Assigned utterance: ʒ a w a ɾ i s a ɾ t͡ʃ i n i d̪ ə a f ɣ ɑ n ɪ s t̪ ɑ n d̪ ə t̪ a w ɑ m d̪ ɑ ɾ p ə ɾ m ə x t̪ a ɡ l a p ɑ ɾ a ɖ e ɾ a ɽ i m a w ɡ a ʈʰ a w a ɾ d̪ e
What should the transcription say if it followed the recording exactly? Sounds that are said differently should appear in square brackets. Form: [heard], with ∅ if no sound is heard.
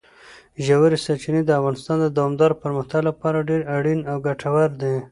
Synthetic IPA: ʒ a w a ɾ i s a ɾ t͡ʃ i n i d̪ ə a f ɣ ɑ n ɪ s t̪ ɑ n d̪ ə [d̪] a w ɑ m d̪ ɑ ɾ p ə ɾ m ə x t̪ a ɡ l a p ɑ ɾ a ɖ e ɾ a ɽ i [n] a w ɡ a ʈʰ a w a ɾ d̪ e